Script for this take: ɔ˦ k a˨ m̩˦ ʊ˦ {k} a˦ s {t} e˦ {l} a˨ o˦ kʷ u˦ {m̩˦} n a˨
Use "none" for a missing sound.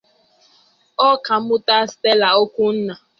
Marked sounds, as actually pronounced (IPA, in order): t, t, l, n̩˦

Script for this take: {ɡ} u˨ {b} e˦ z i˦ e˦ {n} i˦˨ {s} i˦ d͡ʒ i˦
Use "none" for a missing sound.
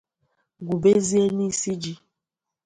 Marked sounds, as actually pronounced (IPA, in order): ɡ, b, n, s

